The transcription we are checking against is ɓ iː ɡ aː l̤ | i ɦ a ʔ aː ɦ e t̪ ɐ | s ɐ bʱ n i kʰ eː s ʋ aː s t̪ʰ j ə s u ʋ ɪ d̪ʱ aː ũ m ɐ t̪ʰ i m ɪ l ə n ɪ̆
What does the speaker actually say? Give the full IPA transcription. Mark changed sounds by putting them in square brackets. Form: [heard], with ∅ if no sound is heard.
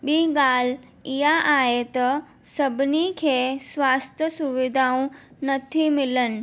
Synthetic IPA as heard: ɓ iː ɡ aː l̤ | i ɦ a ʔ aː ɦ e t̪ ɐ | s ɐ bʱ n i kʰ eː s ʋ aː s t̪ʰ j ə s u ʋ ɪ d̪ʱ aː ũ [n] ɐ t̪ʰ i m ɪ l ə n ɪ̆